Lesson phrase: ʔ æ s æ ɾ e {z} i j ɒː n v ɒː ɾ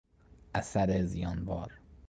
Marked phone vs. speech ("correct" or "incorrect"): correct